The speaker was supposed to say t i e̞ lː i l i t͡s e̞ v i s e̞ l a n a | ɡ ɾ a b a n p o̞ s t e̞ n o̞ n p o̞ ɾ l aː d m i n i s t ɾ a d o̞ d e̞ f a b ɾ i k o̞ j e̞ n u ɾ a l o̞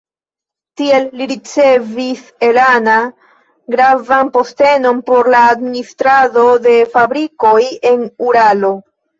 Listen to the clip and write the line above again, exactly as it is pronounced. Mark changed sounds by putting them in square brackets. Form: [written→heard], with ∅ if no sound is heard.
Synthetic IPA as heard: t i e̞ lː i [l→ɾ] i t͡s e̞ v i s e̞ l a n a | ɡ ɾ a [b→v] a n p o̞ s t e̞ n o̞ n p o̞ ɾ l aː d m i n i s t ɾ a d o̞ d e̞ f a b ɾ i k o̞ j e̞ n u ɾ a l o̞